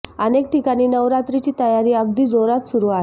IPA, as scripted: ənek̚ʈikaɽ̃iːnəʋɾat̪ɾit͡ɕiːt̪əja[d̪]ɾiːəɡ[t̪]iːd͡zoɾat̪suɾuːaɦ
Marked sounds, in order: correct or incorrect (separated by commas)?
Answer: incorrect, incorrect